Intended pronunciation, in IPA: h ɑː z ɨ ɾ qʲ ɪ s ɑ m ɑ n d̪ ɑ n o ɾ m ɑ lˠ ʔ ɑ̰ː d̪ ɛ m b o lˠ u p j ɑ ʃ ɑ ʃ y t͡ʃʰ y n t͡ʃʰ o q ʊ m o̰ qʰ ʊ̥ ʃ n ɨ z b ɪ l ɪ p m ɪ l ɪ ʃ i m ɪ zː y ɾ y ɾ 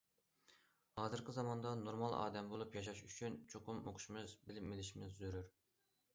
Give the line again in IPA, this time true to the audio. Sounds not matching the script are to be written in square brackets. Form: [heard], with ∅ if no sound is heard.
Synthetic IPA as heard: h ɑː z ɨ ɾ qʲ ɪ [z] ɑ m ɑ n d̪ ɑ n o ɾ m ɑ lˠ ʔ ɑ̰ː d̪ ɛ m b o lˠ u p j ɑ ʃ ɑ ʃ y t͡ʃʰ y n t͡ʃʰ o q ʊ m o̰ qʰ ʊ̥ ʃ [m] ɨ z b ɪ l ɪ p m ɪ l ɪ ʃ i m ɪ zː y ɾ y ɾ